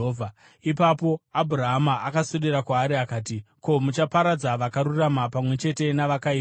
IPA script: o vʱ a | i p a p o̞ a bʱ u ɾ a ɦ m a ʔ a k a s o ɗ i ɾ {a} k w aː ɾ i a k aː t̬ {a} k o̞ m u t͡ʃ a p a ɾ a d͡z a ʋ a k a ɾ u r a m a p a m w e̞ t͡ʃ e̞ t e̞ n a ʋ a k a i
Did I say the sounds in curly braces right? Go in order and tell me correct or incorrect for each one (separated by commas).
correct, incorrect